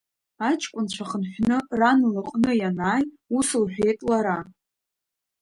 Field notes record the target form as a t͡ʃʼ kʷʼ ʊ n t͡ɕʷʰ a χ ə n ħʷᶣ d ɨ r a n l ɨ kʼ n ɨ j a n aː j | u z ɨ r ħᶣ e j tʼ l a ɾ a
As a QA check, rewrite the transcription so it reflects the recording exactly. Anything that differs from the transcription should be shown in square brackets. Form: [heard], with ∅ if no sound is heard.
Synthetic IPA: a t͡ʃʼ kʷʼ ʊ n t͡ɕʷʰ a χ ə n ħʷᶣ [n] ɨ r a n l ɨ [qʼ] n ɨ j a n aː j | u [s] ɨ [l] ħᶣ e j tʼ l a ɾ a